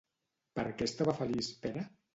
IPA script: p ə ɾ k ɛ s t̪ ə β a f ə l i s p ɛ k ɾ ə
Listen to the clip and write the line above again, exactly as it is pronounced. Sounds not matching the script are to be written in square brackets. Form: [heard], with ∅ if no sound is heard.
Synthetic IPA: p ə ɾ k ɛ s t̪ [a] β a f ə l i s p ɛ [∅] ɾ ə